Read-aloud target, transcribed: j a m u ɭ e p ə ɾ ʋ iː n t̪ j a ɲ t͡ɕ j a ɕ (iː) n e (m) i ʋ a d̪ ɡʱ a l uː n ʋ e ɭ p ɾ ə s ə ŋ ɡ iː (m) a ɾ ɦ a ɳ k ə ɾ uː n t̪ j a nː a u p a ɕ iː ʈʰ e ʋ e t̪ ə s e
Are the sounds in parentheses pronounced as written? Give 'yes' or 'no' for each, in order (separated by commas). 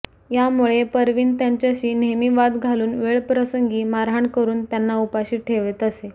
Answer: yes, yes, yes